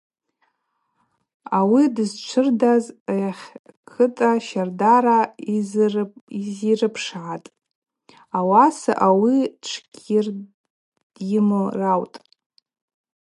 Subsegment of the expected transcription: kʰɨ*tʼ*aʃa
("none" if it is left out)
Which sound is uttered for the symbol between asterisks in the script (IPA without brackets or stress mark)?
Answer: tʼ